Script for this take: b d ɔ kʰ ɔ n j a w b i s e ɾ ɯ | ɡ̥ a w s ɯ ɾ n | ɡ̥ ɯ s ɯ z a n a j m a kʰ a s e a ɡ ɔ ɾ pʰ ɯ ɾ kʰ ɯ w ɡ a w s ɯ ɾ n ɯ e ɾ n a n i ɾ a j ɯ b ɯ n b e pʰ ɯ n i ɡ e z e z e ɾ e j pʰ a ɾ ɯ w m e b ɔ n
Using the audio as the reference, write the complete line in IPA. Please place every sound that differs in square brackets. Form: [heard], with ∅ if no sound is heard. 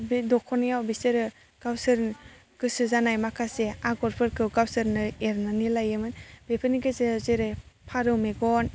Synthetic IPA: b d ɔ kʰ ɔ n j a w b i s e ɾ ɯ | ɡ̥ a w s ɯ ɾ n | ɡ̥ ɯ s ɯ z a n a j m a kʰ a s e a ɡ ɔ ɾ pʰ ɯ ɾ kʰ ɯ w ɡ a w s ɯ ɾ n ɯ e ɾ n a n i [l] a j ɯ [m] ɯ n b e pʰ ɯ n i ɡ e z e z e ɾ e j pʰ a ɾ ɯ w m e [ɡ] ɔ n